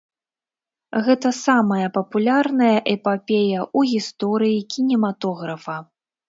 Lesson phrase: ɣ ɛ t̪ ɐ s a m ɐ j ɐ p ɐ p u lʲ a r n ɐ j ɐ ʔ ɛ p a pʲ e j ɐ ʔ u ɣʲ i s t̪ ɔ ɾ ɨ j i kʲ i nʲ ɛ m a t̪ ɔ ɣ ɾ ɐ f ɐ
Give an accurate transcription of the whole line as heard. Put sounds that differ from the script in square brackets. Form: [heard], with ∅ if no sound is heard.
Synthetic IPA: ɣ ɛ t̪ ɐ s a m ɐ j ɐ p ɐ p u lʲ a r n ɐ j ɐ ʔ ɛ p a pʲ e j ɐ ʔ u ɣʲ i s t̪ ɔ ɾ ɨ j i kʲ i nʲ ɛ m a t̪ ɔ ɣ ɾ ɐ f ɐ